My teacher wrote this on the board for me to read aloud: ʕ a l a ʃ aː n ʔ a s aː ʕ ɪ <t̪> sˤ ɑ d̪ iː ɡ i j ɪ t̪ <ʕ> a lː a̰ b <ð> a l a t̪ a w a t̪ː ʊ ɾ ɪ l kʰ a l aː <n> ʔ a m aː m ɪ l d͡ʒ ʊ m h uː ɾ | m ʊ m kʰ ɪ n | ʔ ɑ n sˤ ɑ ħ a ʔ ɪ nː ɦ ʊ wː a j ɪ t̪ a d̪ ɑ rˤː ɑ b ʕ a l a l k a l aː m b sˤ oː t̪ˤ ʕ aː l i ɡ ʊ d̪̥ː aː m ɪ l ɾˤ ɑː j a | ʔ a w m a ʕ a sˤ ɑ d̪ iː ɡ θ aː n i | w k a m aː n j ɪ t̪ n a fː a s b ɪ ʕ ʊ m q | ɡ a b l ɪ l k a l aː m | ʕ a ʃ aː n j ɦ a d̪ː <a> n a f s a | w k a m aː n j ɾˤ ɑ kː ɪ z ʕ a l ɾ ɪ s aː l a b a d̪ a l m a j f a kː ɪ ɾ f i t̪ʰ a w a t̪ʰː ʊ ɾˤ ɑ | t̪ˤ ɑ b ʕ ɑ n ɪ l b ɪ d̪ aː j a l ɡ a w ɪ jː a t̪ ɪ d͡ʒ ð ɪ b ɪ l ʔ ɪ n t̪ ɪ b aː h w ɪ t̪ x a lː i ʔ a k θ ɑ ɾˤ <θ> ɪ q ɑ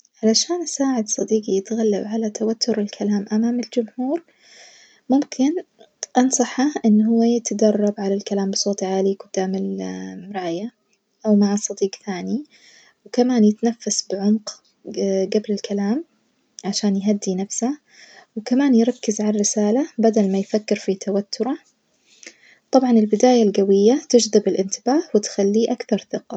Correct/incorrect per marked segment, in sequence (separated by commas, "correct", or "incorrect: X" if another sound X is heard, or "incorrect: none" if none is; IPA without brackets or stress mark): incorrect: d̪, incorrect: ɣ, incorrect: ʕ, incorrect: m, incorrect: i, correct